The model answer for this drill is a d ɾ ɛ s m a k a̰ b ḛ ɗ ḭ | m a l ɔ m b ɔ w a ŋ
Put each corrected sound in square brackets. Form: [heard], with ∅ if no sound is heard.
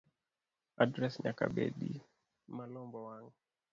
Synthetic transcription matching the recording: a d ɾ ɛ s [ɲ] a k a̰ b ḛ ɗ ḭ | m a l ɔ m b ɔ w a ŋ